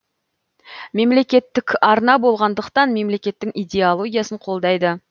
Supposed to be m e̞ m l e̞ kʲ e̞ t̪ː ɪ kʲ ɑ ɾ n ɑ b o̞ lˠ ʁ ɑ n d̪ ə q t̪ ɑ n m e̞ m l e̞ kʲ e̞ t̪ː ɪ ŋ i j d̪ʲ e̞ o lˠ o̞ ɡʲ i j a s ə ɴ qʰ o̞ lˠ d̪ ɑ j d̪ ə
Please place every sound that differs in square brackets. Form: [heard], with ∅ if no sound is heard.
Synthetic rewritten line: m e̞ m l e̞ kʲ e̞ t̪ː ɪ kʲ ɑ ɾ n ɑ b o̞ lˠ ʁ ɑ n d̪ ə q t̪ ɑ n m e̞ m l e̞ kʲ e̞ t̪ː ɪ ŋ i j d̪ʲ e̞ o lˠ o̞ ɡʲ i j a s ə ɴ qʰ o̞ lˠ d̪ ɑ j d̪ ə